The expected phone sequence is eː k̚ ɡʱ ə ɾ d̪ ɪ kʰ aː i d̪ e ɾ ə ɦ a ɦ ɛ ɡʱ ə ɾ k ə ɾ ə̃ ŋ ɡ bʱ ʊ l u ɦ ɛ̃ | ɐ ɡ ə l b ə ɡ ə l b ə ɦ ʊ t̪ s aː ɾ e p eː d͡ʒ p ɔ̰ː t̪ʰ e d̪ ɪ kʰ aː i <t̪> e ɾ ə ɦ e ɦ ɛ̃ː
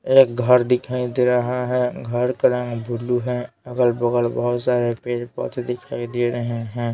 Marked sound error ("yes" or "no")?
yes